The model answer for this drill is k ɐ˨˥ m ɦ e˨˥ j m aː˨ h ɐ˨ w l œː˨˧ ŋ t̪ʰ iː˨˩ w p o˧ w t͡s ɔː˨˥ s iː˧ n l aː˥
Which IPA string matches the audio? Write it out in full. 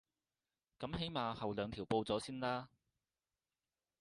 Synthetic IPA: k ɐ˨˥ m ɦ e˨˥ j m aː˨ h ɐ˨ w l œː˨˧ ŋ t̪ʰ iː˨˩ w p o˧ w t͡s ɔː˨˥ s iː˥ n l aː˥